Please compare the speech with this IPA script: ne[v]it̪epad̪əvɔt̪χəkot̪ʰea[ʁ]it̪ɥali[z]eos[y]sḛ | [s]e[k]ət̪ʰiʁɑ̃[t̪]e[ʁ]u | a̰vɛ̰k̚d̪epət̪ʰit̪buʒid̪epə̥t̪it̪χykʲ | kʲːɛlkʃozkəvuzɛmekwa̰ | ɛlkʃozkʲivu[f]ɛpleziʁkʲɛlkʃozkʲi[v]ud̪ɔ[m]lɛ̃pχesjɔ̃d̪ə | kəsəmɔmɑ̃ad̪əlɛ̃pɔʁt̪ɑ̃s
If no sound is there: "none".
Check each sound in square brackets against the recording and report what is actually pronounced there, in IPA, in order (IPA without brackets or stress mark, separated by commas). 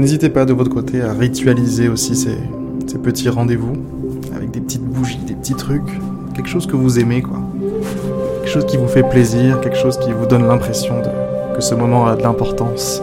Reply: z, ʁ, z, i, s, p, d̪, v, f, v, n